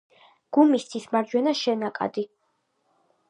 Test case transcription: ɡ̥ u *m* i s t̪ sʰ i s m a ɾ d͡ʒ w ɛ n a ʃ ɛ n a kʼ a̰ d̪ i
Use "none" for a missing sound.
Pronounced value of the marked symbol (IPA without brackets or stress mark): m